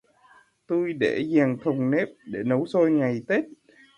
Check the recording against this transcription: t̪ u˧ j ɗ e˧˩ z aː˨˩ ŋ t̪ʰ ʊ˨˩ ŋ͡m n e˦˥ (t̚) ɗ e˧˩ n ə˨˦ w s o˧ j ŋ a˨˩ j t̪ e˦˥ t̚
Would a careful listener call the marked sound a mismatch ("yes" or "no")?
yes